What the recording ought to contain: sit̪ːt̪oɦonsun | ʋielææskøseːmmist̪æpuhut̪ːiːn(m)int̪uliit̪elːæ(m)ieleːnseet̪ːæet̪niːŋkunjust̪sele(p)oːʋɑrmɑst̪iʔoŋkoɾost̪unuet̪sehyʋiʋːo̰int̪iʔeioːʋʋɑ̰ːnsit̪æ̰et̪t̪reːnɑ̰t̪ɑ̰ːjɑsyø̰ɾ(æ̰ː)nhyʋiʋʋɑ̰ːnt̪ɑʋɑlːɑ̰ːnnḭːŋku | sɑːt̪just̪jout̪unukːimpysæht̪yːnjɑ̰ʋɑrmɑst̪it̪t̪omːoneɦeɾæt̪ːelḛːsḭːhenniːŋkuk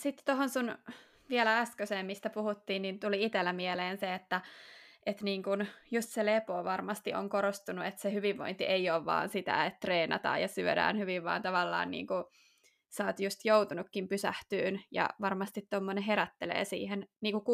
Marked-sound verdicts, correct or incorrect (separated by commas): incorrect, correct, correct, correct